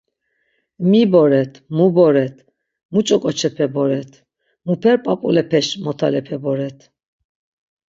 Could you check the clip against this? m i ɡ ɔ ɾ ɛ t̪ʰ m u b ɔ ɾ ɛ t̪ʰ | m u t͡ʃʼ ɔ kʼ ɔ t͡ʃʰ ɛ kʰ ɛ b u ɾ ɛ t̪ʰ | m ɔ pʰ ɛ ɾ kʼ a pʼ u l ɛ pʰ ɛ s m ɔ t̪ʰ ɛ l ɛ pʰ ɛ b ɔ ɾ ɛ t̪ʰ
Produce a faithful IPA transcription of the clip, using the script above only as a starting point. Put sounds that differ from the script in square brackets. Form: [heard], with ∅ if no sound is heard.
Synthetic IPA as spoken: m i [b] ɔ ɾ ɛ t̪ʰ m u b ɔ ɾ ɛ t̪ʰ | m u t͡ʃʼ ɔ kʼ ɔ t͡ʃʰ ɛ [pʰ] ɛ b [ɔ] ɾ ɛ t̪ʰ | m [u] pʰ ɛ ɾ [pʼ] a pʼ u l ɛ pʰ ɛ [ʃ] m ɔ t̪ʰ [a] l ɛ pʰ ɛ b ɔ ɾ ɛ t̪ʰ